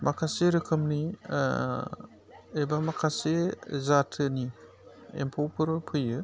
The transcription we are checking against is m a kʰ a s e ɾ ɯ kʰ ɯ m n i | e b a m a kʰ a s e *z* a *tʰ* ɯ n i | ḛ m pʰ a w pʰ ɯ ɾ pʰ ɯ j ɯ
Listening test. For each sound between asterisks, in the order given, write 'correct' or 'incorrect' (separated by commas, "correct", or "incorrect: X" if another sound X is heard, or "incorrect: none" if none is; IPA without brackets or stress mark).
correct, correct